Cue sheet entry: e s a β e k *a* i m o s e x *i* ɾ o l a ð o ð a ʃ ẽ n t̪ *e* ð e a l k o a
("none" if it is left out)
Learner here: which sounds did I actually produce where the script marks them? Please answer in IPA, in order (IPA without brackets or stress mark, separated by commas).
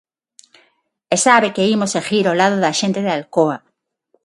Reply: e, i, e